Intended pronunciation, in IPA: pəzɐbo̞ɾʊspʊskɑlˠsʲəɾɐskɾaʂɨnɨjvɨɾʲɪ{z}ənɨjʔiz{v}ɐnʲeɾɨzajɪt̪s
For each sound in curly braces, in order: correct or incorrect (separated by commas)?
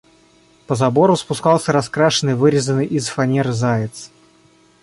correct, incorrect